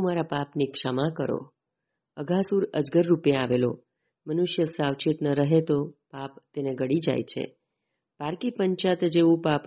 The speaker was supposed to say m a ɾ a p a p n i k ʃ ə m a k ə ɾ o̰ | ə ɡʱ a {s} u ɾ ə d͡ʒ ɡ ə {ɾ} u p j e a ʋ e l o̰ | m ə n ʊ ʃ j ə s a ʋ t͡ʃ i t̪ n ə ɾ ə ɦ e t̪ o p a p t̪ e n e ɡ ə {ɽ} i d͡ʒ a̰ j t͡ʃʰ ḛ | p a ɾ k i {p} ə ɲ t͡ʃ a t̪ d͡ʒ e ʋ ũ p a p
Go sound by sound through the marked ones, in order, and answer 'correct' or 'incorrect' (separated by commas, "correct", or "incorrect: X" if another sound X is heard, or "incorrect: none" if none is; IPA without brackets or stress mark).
correct, incorrect: ɾː, correct, correct